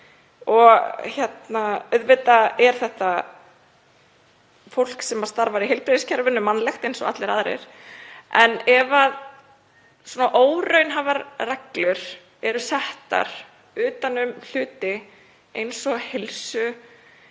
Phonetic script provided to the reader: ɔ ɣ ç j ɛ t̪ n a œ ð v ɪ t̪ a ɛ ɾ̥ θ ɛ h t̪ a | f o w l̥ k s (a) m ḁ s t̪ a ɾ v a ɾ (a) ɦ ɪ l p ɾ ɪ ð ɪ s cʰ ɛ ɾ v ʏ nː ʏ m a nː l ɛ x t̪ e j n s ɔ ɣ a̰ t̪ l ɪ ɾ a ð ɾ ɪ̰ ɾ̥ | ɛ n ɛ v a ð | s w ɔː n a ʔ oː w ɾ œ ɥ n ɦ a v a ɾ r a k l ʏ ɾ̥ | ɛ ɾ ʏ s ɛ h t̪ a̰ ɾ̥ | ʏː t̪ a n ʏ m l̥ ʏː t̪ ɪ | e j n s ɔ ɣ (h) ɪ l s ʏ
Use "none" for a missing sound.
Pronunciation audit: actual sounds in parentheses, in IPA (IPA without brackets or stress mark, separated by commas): ɛ, i, h